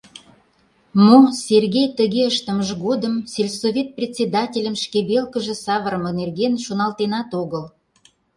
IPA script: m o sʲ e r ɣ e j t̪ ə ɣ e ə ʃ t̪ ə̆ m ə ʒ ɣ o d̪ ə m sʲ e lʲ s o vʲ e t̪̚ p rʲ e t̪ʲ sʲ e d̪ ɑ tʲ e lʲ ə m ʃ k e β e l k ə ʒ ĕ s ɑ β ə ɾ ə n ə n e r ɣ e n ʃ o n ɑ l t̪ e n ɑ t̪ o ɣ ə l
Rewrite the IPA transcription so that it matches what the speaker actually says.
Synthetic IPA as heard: m o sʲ e r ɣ e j t̪ ə ɣ e ə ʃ t̪ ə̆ m ə ʒ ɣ o d̪ ə m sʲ e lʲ s o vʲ e t̪̚ p rʲ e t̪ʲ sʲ e d̪ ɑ tʲ e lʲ ə m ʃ k e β e l k ə ʒ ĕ s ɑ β ə ɾ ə m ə n e r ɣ e n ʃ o n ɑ l t̪ e n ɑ t̪ o ɣ ə l